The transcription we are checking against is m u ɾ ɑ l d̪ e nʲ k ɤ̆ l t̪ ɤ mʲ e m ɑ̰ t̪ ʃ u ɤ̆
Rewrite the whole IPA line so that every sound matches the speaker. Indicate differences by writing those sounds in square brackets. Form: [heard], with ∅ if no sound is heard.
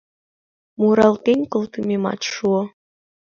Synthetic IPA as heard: m u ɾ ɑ l [t̪] e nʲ k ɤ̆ l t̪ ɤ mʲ e m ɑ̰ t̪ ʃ u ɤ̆